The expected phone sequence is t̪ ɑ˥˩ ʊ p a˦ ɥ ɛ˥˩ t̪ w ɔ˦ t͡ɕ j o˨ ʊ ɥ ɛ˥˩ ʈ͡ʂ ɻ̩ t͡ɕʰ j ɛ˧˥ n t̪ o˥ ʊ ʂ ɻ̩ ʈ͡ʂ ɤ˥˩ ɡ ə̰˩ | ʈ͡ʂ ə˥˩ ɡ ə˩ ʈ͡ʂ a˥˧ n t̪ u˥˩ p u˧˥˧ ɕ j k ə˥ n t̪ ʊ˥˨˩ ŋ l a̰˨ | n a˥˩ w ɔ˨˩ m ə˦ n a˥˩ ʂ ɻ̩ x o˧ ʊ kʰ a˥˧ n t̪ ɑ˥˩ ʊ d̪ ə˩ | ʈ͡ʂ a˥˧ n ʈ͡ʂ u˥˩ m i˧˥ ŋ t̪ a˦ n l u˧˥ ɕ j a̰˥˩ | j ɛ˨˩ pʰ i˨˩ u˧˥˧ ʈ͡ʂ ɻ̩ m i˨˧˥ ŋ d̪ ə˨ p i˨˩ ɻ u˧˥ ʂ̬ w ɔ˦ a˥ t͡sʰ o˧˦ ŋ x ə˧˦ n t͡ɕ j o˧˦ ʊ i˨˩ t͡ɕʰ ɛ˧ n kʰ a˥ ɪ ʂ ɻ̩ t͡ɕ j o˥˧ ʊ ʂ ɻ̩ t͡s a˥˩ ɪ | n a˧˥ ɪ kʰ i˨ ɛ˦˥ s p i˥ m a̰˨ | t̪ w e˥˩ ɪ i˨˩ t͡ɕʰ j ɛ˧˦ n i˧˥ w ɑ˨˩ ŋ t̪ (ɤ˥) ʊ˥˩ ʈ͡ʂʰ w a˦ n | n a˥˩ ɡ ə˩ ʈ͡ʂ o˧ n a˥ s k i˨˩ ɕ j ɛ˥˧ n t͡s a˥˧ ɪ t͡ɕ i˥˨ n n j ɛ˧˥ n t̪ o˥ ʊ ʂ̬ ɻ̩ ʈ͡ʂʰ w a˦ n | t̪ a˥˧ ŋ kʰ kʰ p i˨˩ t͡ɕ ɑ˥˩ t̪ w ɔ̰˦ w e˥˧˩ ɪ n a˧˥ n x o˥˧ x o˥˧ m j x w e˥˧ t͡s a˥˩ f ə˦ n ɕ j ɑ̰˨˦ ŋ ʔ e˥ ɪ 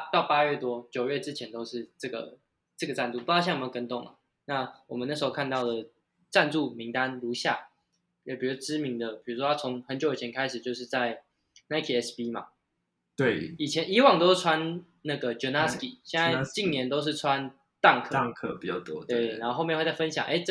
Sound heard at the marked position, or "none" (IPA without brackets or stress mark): o˥